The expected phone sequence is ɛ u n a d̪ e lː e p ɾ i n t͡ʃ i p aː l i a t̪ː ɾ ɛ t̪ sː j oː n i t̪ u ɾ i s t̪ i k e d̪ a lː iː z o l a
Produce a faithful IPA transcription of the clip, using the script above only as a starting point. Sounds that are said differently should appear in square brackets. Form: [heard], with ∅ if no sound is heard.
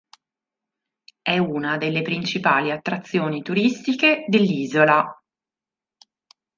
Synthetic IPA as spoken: ɛ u n a d̪ e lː e p ɾ i n t͡ʃ i p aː l i a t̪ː ɾ [a] t̪ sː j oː n i t̪ u ɾ i s t̪ i k e d̪ [e] lː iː z o l a

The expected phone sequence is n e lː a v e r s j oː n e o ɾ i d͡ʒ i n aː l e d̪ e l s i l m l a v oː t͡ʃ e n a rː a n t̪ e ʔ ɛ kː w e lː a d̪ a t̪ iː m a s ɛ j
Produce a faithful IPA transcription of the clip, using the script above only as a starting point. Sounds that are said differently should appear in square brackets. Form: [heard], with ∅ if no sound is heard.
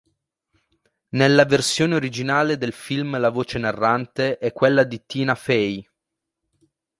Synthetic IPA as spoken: n e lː a v e r s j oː n e o ɾ i d͡ʒ i n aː l e d̪ e l [f] i l m l a v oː t͡ʃ e n a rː a n t̪ e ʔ ɛ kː w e lː a d̪ [i] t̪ iː [n] a [f] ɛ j

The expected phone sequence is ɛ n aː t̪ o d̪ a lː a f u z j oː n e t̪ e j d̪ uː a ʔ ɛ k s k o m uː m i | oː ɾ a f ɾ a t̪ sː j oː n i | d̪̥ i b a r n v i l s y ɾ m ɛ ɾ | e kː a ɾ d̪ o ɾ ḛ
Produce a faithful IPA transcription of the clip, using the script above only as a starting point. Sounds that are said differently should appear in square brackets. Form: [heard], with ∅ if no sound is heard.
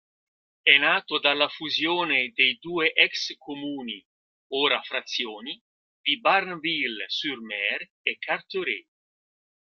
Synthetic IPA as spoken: ɛ n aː t̪ o d̪ a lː a f u z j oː n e [d̪] e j d̪ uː [e] ʔ ɛ k s k o m uː [n] i | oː ɾ a f ɾ a t̪ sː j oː n i | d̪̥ i b a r n v i l s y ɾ m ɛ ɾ | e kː a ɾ [t̪] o ɾ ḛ

